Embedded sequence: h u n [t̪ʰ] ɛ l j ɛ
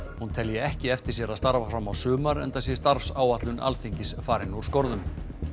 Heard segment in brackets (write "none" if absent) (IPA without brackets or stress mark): t̪ʰ